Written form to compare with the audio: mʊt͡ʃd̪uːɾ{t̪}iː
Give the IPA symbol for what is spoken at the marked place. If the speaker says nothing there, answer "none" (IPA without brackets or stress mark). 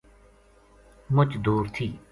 t̪ʰ